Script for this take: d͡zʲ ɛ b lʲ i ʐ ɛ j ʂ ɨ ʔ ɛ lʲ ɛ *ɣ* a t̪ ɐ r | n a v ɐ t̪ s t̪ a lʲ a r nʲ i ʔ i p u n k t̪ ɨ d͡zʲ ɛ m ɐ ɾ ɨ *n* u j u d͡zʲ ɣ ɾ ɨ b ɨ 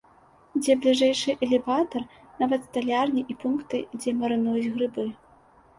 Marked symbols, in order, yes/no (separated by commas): no, yes